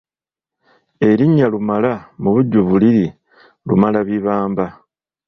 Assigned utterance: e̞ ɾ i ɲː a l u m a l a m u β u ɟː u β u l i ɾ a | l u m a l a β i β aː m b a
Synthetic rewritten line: e̞ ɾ i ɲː a l u m a l a m u β u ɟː u β u l i ɾ i | l u m a l a β i β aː m b a